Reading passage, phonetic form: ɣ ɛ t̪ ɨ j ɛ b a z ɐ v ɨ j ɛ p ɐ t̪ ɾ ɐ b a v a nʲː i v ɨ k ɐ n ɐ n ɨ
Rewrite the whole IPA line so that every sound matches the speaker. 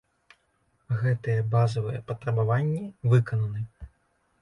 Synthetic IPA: ɣ ɛ t̪ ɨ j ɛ b a z ɐ v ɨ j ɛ p ɐ t̪ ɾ ɐ b a v a nʲː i v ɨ k ɐ n ɐ n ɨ